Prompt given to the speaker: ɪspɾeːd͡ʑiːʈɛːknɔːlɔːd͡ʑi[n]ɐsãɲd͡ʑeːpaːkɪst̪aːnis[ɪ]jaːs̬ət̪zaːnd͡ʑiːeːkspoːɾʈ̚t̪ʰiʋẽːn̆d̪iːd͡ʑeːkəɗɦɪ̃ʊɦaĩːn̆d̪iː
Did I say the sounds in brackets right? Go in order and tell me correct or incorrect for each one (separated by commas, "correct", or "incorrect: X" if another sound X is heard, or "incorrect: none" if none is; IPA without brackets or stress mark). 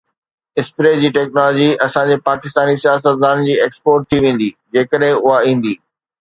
incorrect: none, incorrect: i